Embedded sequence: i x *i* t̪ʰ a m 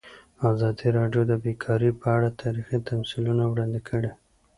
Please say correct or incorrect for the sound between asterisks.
correct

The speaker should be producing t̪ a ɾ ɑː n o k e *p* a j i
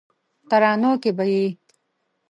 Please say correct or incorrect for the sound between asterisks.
incorrect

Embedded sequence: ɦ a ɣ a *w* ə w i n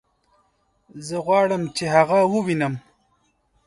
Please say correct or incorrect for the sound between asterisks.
correct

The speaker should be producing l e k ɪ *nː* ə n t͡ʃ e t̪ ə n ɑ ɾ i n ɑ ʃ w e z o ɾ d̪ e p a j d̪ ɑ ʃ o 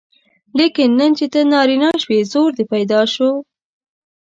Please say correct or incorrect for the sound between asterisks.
correct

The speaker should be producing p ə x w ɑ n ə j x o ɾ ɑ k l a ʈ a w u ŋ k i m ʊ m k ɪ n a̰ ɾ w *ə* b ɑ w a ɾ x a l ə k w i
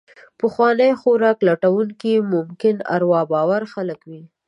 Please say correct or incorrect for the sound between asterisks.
incorrect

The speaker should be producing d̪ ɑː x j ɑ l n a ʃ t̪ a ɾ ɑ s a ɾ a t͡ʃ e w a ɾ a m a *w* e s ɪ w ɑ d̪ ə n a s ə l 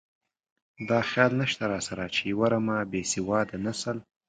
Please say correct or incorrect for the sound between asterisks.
incorrect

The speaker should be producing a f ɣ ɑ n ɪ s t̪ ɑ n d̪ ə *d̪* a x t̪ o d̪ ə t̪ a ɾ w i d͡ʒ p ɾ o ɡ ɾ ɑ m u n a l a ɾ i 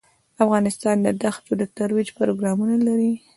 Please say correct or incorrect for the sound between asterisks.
correct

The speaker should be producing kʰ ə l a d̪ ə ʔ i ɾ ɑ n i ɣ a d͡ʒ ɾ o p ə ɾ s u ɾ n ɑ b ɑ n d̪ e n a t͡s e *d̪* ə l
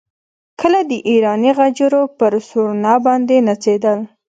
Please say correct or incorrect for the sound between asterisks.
correct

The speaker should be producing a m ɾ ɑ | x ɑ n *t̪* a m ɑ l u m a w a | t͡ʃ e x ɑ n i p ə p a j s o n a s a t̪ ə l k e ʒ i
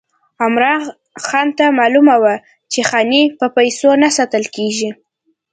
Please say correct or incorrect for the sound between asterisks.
correct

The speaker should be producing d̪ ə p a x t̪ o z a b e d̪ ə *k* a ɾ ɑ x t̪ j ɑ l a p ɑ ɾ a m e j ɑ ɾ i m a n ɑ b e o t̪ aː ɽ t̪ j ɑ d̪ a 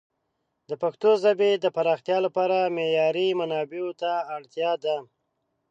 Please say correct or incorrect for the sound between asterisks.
incorrect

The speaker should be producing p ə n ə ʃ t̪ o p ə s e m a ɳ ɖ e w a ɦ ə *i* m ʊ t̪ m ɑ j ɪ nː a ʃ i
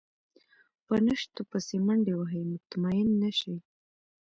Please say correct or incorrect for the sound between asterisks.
incorrect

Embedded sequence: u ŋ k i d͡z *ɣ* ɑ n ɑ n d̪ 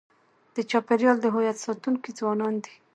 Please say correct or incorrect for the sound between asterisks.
incorrect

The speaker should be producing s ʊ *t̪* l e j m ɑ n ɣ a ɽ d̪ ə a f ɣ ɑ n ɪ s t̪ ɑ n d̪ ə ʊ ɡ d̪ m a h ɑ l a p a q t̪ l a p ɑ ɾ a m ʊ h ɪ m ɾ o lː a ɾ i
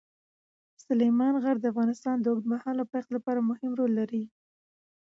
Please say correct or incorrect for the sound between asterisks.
incorrect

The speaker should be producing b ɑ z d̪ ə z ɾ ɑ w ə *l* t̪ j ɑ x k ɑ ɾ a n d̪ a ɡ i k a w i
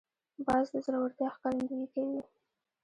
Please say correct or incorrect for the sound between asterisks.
incorrect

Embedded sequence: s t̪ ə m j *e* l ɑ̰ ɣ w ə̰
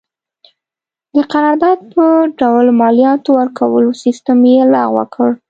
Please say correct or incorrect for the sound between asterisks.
correct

